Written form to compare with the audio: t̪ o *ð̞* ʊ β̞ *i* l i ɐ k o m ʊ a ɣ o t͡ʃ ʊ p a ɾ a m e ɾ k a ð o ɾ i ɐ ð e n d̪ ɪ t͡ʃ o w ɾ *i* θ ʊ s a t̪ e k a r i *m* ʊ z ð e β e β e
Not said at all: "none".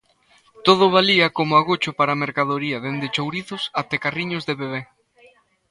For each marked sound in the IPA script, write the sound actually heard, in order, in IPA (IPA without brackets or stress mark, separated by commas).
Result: ð̞, a, i, ɲ